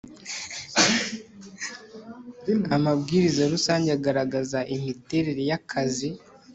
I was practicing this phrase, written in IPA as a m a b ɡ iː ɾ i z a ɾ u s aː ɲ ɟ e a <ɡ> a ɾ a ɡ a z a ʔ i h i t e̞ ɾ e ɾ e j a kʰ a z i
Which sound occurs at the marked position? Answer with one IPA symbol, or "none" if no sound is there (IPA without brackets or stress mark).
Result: ɡ